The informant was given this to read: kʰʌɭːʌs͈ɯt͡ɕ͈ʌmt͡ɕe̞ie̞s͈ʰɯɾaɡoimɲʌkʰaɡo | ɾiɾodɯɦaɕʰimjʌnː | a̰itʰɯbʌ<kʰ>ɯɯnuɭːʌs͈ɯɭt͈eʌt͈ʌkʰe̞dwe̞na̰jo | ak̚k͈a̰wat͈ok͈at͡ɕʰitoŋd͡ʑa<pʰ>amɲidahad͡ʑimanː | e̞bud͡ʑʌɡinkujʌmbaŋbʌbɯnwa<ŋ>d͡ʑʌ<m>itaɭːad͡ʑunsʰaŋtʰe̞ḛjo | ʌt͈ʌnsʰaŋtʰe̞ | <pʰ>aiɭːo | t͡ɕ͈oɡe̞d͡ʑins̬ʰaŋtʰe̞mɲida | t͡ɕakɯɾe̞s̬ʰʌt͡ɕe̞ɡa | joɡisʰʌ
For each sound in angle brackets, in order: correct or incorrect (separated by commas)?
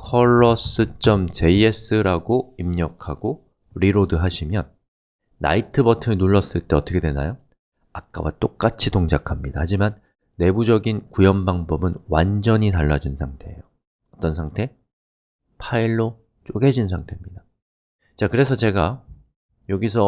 incorrect, incorrect, incorrect, incorrect, correct